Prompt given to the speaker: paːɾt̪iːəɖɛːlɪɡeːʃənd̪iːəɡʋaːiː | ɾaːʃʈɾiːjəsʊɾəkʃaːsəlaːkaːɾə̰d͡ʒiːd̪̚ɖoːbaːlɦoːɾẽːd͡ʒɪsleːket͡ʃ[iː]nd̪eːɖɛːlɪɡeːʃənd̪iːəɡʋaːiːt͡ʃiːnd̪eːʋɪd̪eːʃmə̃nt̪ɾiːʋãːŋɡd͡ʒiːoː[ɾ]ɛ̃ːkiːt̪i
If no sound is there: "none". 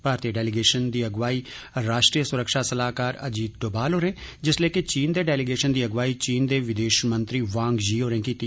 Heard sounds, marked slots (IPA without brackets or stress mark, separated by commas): iː, ɾ